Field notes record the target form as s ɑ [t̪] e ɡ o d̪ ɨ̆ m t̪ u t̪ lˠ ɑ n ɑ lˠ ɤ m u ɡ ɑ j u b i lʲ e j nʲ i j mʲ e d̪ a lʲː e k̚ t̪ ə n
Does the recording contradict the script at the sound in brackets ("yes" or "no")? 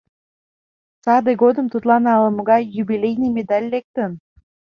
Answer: yes